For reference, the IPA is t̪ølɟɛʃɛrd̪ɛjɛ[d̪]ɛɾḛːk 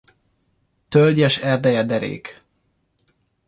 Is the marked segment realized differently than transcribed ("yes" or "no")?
no